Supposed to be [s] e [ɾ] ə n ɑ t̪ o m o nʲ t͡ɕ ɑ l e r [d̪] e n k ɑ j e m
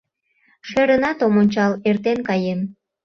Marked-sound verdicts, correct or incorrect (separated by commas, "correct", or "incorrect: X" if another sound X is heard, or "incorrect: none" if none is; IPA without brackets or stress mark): incorrect: ʃ, correct, incorrect: t̪